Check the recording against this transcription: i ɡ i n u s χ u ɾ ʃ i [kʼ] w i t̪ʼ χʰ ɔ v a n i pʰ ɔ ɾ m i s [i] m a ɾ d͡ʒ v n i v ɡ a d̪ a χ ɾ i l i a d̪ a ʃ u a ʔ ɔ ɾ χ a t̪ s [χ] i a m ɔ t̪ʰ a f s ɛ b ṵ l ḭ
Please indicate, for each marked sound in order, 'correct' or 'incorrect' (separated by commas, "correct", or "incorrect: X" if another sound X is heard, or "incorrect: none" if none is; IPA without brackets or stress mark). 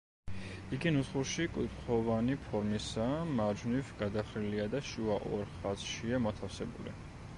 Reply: correct, incorrect: a, incorrect: ʃ